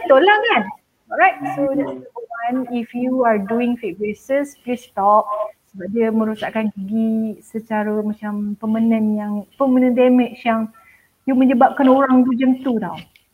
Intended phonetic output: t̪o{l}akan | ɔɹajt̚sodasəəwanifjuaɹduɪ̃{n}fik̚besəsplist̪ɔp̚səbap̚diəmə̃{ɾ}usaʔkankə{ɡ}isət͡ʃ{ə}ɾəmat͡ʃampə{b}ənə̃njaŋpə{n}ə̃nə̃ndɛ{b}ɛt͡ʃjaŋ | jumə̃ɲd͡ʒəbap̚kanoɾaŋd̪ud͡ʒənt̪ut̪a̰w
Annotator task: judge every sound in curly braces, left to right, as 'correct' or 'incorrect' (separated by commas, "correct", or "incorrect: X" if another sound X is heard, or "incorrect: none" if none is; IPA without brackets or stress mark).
correct, incorrect: ŋ, correct, correct, incorrect: a, incorrect: m, incorrect: m, incorrect: m